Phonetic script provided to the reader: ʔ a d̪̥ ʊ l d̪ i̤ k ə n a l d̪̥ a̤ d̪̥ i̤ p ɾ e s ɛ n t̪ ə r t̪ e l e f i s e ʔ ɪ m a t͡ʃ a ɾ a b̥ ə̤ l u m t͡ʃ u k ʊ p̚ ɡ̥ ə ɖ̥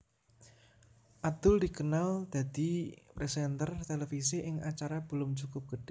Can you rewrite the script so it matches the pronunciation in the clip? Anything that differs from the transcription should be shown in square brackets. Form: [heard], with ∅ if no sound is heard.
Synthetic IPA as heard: ʔ a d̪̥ ʊ l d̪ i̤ k ə n a l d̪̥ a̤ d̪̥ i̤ p ɾ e s ɛ n t̪ ə r t̪ e l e f i s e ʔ ɪ [ŋ] a t͡ʃ a ɾ a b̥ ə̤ l [ʊ] m t͡ʃ u k ʊ p̚ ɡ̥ ə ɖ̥